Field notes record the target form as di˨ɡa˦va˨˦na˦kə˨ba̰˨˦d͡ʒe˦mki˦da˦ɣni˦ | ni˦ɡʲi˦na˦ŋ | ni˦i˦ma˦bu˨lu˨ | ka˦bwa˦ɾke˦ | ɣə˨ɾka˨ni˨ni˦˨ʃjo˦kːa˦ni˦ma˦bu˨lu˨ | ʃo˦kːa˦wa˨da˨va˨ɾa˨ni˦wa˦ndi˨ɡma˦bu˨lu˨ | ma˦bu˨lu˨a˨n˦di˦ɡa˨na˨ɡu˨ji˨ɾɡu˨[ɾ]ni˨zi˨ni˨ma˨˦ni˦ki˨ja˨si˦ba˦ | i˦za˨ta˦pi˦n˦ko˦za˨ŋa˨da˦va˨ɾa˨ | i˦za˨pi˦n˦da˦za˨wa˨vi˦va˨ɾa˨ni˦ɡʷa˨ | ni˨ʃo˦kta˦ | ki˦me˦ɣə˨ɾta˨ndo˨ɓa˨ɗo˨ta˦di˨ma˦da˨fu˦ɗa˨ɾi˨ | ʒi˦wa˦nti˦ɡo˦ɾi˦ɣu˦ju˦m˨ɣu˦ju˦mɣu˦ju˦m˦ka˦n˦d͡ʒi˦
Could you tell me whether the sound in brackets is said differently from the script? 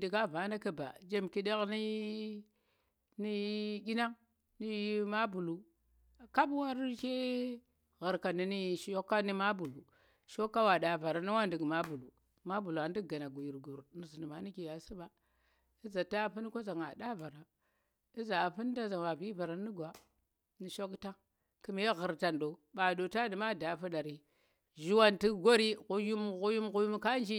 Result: no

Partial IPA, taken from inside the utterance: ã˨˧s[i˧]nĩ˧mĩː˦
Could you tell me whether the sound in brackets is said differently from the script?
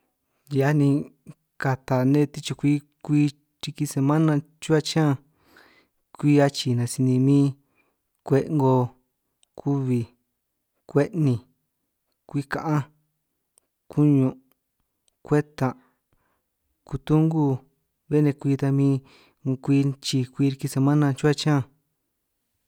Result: no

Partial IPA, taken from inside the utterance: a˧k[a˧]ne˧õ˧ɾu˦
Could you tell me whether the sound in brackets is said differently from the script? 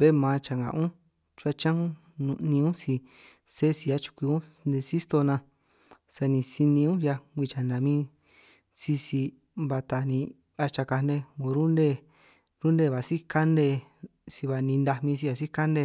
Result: no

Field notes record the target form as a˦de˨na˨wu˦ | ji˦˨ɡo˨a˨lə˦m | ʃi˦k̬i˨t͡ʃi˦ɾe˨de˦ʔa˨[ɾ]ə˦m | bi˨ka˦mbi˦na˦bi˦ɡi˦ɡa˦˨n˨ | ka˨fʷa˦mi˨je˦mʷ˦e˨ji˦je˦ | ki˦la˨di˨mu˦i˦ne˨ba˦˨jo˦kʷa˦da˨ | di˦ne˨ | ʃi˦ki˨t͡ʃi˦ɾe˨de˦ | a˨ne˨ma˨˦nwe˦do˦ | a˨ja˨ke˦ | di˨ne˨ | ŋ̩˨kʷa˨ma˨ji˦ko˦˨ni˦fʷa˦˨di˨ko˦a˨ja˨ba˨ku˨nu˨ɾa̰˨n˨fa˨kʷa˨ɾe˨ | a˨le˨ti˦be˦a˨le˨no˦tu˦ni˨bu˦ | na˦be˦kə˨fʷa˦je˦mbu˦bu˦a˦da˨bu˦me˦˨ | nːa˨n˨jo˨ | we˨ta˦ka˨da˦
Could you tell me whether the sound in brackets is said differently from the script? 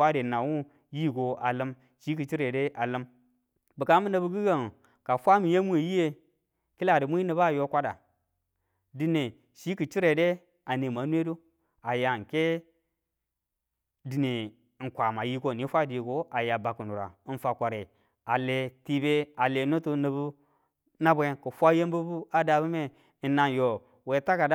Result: yes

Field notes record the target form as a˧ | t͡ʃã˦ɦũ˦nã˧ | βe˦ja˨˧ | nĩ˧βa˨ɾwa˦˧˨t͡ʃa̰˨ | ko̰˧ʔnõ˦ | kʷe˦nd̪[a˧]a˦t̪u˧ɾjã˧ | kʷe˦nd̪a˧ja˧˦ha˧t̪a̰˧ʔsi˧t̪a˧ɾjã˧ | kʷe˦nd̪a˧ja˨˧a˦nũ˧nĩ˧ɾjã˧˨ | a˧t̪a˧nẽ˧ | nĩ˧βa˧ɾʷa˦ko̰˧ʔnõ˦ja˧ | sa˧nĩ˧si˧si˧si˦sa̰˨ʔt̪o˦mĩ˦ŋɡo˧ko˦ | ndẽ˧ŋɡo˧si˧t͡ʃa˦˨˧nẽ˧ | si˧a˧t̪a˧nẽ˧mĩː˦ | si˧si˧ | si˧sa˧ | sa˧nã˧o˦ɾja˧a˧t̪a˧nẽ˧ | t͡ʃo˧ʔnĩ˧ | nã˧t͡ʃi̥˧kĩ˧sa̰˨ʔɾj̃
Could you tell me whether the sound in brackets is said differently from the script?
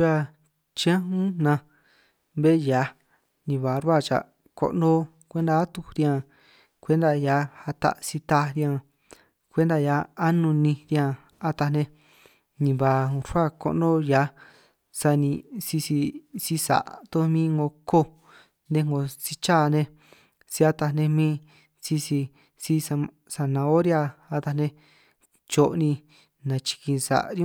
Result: no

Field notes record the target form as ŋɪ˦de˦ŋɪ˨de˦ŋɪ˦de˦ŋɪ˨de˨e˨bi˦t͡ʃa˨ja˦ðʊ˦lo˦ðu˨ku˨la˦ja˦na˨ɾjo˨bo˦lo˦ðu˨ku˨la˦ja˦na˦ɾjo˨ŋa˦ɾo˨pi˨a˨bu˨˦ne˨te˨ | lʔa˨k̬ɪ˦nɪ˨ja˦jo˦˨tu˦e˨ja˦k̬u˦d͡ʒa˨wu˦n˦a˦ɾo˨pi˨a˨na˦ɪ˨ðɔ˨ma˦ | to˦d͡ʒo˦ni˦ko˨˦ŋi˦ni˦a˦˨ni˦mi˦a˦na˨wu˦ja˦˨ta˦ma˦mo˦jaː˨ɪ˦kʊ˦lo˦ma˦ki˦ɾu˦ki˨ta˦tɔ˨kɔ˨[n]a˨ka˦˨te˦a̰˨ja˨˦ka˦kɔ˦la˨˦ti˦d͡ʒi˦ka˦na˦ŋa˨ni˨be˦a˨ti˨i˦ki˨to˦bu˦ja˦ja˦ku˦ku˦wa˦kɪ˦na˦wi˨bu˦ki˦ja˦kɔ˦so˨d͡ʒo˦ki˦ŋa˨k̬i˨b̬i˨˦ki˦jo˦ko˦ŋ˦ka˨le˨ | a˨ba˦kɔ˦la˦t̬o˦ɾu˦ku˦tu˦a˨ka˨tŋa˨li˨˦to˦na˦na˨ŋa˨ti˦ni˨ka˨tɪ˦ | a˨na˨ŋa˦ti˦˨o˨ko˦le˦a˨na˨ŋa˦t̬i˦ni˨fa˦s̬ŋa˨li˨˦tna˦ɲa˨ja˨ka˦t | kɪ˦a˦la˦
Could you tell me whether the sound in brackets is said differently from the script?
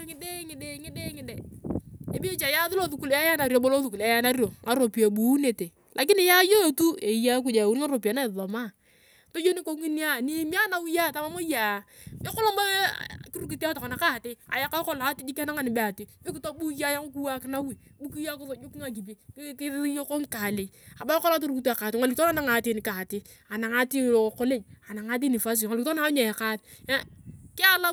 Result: no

